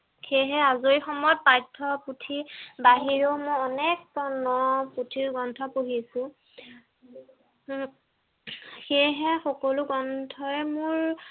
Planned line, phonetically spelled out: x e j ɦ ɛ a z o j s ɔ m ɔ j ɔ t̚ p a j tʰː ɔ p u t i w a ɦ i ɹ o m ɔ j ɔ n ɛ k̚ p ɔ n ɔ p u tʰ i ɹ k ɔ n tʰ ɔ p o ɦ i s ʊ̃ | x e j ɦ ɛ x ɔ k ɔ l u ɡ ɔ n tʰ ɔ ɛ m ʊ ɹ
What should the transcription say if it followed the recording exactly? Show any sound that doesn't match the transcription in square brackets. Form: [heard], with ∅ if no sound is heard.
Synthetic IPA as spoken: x e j ɦ ɛ a z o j [x] ɔ m ɔ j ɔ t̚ p a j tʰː ɔ p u [tʰ] i [b] a ɦ i ɹ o m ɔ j ɔ n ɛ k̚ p ɔ n ɔ p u tʰ i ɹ [ɡ] ɔ n tʰ ɔ p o ɦ i s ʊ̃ | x e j ɦ ɛ x ɔ k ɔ l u ɡ ɔ n tʰ ɔ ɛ m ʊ ɹ